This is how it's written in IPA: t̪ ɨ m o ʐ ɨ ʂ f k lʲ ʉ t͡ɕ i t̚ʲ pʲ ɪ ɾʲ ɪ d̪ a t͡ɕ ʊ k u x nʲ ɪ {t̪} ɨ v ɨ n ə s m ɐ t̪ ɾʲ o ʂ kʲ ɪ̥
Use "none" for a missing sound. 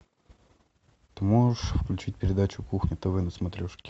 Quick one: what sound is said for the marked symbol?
t̪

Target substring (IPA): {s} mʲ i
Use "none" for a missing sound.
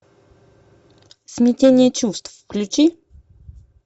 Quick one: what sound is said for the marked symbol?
s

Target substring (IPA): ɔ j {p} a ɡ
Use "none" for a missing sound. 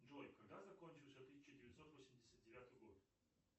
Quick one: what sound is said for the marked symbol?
k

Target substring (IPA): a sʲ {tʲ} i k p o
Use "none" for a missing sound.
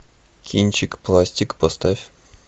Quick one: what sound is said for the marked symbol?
tʲ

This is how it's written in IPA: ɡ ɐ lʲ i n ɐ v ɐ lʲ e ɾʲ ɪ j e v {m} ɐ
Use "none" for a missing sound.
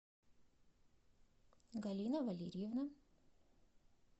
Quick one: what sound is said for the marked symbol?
n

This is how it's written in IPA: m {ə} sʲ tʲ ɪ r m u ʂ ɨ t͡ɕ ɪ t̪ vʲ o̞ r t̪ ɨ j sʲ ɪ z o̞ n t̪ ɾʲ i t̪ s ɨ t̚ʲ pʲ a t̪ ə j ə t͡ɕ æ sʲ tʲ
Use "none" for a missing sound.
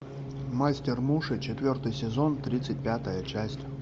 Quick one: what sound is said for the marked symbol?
a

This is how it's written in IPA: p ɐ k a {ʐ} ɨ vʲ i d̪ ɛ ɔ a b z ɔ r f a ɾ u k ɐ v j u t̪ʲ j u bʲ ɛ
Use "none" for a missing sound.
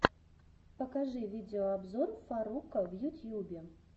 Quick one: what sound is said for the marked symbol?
ʐ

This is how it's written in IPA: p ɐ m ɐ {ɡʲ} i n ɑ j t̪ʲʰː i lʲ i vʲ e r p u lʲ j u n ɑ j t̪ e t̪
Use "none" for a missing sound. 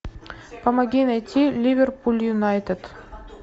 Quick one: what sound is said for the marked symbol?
ɡʲ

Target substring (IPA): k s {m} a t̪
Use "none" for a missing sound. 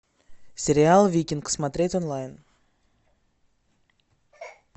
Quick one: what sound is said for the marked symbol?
m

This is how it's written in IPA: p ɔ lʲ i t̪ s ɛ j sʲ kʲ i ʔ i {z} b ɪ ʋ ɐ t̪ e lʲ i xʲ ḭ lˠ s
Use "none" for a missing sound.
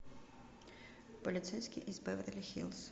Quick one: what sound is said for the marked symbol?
z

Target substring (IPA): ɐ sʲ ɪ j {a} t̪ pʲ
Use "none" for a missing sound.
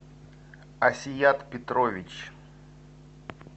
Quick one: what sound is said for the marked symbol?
a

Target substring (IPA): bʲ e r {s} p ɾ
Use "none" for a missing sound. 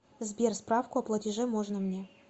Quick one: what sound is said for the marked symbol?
s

